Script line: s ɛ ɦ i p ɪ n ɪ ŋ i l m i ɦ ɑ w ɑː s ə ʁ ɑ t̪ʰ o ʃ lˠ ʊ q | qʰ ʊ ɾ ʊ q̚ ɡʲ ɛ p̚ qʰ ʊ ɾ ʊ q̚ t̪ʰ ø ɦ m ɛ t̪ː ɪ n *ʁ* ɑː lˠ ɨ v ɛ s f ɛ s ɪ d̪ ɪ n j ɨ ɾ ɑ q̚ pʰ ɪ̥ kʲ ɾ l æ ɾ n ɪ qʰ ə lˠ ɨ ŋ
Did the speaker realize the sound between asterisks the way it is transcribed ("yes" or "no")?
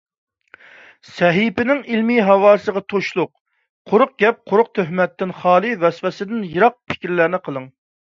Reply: no